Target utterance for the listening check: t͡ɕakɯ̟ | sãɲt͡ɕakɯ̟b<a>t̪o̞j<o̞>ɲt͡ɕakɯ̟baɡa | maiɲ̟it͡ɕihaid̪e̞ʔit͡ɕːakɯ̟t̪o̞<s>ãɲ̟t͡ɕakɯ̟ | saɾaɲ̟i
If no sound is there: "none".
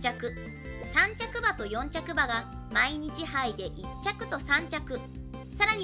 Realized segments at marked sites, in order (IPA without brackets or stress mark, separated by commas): a, õ̞, s